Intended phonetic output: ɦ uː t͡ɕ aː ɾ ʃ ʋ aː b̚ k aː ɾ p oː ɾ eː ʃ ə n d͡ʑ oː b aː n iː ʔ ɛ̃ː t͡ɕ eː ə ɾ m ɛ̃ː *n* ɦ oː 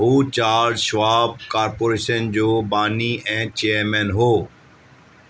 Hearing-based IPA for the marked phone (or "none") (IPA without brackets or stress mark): n